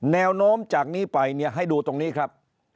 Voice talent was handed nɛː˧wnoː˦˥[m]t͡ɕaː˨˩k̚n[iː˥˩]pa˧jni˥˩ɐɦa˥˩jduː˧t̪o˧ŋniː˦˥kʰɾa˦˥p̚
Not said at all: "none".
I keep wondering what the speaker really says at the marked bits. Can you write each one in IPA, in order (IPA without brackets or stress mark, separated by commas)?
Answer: m, iː˥˩